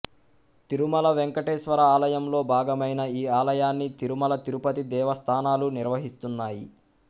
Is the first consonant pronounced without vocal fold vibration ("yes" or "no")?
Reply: yes